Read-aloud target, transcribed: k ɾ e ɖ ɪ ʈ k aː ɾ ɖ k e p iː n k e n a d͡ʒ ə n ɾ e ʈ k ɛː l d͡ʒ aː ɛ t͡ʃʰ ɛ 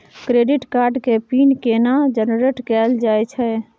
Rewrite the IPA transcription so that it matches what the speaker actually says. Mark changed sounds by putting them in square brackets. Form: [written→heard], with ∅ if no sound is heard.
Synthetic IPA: k ɾ e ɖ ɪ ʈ k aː ɾ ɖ k e p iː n k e n a d͡ʒ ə n ɾ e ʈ k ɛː l d͡ʒ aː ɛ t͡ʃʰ ɛ